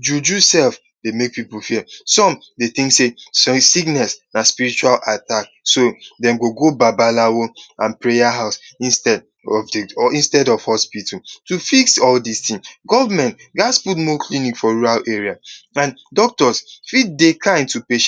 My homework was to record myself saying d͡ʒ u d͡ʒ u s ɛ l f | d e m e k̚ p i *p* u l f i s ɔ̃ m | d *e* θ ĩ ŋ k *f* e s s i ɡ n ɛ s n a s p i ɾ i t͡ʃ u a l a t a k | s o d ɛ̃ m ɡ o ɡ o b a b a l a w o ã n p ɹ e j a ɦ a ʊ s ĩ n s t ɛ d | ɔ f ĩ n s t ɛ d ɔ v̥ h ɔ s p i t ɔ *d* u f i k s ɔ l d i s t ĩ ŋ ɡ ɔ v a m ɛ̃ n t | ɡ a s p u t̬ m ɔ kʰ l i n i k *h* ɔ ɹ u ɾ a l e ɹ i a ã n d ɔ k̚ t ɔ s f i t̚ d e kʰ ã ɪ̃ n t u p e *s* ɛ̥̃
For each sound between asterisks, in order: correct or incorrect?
correct, correct, incorrect, incorrect, incorrect, incorrect

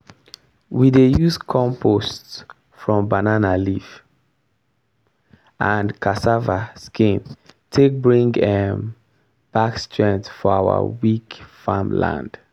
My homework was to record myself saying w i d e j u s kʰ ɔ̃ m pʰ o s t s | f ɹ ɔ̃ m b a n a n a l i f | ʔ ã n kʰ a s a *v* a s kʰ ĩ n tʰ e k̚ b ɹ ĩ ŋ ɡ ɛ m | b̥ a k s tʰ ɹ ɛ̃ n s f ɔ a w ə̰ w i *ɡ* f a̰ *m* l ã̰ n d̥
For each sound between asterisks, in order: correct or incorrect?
correct, incorrect, correct

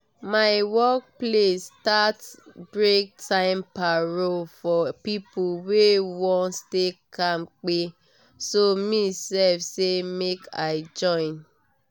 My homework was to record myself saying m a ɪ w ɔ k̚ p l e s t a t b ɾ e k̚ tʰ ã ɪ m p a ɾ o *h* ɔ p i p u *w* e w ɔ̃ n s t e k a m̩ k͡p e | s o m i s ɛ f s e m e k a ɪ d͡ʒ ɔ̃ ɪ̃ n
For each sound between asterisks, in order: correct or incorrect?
incorrect, correct

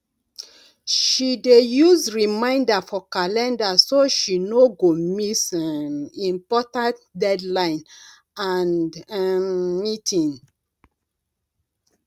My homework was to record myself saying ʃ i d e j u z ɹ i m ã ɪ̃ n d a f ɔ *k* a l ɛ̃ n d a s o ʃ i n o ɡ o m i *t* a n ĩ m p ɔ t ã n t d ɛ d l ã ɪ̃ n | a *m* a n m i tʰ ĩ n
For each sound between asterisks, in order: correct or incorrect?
correct, incorrect, incorrect

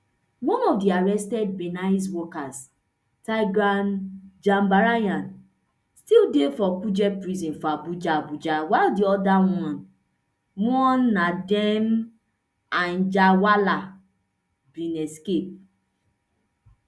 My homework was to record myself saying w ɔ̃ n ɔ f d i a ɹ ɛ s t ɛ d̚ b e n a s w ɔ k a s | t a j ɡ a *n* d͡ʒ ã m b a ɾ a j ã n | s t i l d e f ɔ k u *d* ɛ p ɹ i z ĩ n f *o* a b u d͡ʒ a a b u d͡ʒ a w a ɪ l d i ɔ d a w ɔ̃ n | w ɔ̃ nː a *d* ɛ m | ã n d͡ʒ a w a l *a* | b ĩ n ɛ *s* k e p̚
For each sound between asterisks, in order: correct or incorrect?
correct, incorrect, incorrect, correct, correct, correct

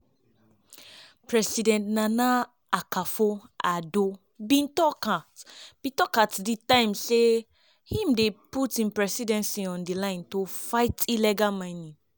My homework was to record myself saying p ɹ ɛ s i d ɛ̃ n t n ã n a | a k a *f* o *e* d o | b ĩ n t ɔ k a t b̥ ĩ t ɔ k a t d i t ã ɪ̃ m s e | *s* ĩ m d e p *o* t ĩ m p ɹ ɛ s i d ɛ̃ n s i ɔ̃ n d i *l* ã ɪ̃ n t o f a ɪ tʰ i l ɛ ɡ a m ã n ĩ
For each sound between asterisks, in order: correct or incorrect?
correct, incorrect, incorrect, incorrect, correct

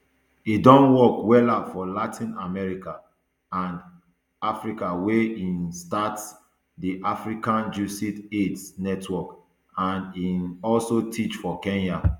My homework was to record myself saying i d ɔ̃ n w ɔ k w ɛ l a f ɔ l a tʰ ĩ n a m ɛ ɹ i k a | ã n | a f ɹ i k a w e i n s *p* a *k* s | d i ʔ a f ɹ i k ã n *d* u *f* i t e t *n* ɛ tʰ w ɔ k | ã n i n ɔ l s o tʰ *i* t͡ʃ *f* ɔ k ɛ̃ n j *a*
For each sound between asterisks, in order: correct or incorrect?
incorrect, incorrect, incorrect, incorrect, correct, correct, correct, correct

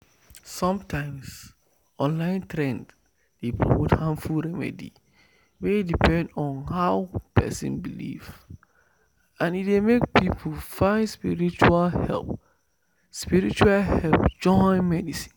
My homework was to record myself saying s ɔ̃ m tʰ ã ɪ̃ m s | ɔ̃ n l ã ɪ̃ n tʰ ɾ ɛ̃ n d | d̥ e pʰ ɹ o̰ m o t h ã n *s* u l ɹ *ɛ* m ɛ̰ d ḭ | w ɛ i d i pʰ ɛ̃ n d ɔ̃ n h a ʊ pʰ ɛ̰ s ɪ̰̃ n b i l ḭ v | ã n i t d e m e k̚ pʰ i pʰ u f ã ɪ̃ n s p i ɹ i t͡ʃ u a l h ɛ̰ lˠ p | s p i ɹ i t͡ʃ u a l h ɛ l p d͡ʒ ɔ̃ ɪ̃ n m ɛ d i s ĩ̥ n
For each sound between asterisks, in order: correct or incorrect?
incorrect, correct

